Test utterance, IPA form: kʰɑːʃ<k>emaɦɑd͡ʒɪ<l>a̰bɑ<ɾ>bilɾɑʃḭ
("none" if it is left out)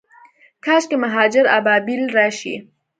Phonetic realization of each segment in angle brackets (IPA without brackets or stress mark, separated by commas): k, ɾ, none